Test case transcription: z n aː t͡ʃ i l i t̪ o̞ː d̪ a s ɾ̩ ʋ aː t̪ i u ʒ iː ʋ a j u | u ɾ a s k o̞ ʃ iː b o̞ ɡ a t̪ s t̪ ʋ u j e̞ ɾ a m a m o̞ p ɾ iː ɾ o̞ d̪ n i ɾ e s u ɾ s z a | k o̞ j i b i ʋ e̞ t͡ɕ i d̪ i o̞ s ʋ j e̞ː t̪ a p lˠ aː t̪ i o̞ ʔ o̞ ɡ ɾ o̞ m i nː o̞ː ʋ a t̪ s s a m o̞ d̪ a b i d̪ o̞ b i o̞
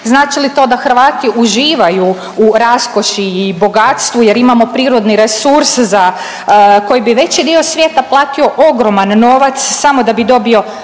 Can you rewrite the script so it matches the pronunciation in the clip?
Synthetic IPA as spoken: z n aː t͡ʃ i l i t̪ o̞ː d̪ a x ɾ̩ ʋ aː t̪ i u ʒ iː ʋ a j u | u ɾ a s k o̞ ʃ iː b o̞ ɡ a t̪ s t̪ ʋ u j e̞ ɾ i m a m o̞ p ɾ iː ɾ o̞ d̪ n i ɾ e s u ɾ s z a | k o̞ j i b i ʋ e̞ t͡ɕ i d̪ i o̞ s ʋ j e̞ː t̪ a p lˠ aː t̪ i o̞ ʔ o̞ ɡ ɾ o̞ m a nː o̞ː ʋ a t̪ s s a m o̞ d̪ a b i d̪ o̞ b i o̞